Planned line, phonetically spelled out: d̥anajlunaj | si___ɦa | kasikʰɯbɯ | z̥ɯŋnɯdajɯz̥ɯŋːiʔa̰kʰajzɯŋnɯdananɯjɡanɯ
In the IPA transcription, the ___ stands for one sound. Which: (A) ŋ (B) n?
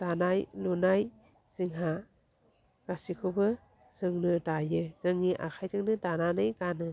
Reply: A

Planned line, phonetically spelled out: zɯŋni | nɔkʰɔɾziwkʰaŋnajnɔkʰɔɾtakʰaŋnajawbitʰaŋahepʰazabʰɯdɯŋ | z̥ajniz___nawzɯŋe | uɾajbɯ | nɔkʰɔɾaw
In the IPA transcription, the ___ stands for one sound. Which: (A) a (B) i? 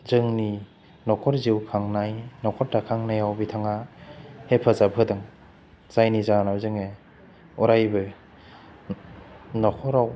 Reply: A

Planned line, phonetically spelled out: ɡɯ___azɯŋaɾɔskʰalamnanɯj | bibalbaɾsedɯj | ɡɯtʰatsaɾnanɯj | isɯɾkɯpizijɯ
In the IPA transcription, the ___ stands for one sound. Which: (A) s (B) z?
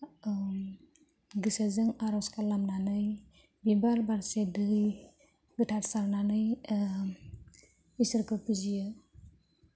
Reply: A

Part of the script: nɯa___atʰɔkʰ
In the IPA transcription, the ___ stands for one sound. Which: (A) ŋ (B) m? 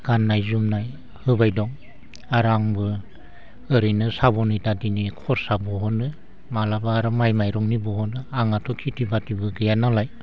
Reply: A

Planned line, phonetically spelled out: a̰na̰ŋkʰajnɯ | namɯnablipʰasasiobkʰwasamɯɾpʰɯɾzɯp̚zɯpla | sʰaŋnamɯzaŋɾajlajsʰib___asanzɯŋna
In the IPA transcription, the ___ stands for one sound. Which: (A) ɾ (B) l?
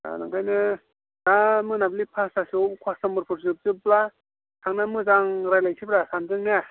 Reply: A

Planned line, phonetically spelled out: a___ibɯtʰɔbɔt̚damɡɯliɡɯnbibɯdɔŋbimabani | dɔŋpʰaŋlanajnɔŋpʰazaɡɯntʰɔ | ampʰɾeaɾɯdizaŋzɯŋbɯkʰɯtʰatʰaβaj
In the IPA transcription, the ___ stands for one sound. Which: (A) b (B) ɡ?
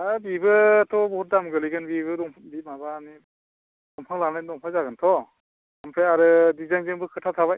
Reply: A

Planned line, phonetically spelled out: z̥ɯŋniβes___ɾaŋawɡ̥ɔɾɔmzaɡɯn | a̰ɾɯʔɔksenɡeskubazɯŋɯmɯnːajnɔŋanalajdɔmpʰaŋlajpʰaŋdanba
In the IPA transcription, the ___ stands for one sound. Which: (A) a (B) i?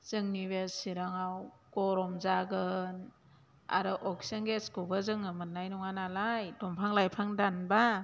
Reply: B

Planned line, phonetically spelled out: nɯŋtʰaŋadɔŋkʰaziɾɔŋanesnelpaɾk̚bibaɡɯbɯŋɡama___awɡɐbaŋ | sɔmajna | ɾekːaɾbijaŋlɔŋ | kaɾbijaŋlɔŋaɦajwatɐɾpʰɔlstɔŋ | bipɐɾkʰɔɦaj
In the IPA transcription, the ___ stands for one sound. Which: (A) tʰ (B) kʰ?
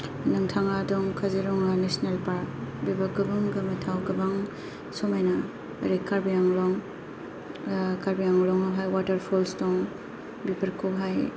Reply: A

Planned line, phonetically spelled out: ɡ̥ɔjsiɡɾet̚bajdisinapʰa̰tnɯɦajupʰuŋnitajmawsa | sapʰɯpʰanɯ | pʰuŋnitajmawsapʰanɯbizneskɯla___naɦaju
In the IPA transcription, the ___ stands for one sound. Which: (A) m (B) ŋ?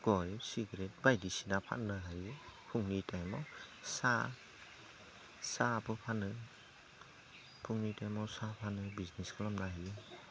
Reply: A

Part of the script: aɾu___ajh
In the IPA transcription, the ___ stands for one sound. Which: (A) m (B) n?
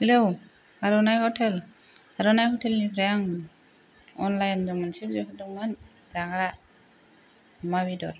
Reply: B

